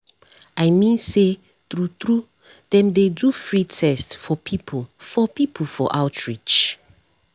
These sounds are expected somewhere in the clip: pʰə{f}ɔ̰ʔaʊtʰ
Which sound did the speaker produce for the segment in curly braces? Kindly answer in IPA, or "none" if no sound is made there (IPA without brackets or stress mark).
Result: f